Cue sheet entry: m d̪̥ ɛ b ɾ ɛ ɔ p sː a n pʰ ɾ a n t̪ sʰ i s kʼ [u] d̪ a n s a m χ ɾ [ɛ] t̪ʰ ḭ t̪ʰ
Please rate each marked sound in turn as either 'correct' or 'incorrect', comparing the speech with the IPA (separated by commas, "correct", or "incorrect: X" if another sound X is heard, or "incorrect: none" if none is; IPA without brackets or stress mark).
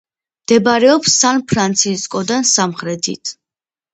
incorrect: ɔ, correct